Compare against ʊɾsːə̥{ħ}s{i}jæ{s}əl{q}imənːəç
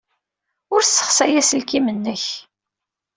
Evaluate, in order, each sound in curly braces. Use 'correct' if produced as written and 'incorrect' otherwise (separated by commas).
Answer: incorrect, incorrect, correct, incorrect